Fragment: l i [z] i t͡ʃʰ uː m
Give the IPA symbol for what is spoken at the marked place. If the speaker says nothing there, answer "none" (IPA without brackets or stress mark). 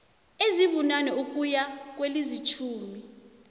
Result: z